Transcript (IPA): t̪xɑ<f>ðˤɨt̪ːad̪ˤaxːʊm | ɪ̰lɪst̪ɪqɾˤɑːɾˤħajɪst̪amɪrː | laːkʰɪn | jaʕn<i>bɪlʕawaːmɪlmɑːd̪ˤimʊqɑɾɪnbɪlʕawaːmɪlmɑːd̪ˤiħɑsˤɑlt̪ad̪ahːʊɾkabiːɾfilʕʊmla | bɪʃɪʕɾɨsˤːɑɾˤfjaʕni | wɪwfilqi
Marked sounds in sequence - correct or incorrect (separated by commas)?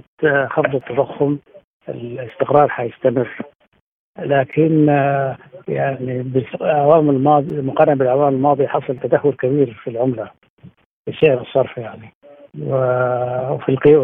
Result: correct, correct